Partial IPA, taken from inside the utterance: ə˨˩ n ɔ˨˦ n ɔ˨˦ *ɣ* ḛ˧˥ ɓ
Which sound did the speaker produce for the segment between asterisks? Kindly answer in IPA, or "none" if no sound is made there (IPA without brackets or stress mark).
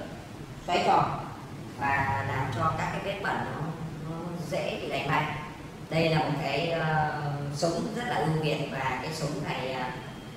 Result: z